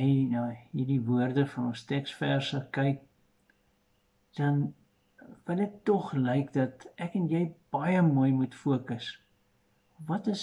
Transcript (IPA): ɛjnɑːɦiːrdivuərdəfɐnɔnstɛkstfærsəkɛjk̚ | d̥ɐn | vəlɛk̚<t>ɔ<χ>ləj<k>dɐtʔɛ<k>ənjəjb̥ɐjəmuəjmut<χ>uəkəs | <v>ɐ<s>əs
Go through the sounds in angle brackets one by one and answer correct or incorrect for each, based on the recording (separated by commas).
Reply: correct, correct, correct, correct, incorrect, correct, incorrect